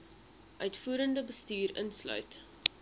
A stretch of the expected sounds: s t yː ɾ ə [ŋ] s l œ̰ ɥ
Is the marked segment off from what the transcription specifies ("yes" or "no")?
yes